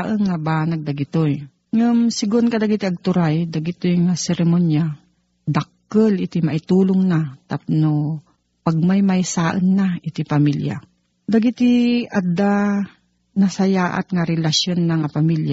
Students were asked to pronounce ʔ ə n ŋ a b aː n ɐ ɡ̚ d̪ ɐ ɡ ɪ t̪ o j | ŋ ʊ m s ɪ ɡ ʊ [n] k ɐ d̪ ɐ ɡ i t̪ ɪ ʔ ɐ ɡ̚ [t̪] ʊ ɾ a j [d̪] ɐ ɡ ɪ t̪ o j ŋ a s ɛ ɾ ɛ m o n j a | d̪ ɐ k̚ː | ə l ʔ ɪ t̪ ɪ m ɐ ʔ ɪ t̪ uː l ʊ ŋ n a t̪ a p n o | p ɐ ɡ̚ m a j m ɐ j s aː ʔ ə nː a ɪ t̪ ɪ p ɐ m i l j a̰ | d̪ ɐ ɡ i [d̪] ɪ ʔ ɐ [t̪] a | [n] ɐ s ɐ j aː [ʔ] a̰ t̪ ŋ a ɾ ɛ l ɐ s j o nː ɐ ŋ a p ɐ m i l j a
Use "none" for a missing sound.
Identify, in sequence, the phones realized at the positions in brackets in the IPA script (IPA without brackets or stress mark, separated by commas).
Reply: n, t̪, d̪, t̪, d̪, n, ʔ